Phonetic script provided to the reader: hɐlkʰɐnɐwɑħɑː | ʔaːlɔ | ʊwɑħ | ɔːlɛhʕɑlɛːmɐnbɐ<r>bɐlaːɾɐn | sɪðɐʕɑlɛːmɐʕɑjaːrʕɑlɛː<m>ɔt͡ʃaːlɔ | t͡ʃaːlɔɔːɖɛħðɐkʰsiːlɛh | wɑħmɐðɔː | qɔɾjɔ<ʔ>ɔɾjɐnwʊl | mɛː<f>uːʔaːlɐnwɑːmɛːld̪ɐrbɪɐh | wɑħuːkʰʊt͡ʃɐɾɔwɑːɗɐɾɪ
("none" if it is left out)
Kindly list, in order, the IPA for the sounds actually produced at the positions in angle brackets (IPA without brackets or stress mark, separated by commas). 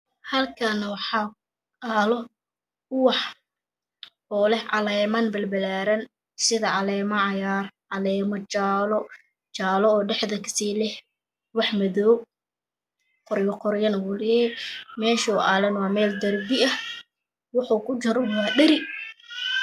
l, m, q, ʃ